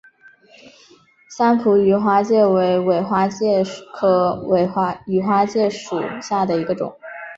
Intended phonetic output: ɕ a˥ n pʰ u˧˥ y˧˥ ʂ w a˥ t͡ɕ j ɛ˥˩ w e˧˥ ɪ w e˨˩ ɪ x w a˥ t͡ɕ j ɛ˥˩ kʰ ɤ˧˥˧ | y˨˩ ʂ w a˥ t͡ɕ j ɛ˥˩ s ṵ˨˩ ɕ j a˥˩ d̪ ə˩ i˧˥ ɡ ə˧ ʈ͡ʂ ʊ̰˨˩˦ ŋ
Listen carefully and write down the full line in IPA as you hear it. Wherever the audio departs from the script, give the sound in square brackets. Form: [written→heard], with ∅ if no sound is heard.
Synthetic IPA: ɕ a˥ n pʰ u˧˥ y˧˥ [ʂ→x] w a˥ t͡ɕ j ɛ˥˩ w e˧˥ ɪ w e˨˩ ɪ x w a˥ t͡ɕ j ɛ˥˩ kʰ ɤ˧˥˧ | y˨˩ [ʂ→x] w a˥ t͡ɕ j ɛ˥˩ [s→ʂ] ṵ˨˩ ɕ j a˥˩ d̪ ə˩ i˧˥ ɡ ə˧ ʈ͡ʂ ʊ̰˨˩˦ ŋ